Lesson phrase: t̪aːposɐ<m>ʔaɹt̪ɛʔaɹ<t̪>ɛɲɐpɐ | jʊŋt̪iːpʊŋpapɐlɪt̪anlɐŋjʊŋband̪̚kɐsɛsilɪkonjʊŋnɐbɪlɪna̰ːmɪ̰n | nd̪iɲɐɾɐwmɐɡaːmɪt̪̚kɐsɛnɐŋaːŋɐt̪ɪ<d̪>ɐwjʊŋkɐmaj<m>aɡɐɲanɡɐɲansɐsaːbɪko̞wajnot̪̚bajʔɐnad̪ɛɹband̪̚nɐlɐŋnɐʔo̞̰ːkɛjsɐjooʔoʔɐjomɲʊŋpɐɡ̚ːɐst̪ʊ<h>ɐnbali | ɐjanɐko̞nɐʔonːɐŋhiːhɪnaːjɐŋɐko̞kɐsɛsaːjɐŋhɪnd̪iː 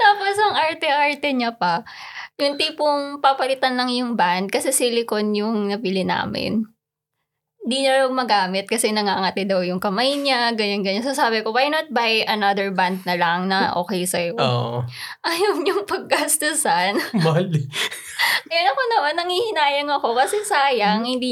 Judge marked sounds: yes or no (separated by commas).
no, yes, yes, no, no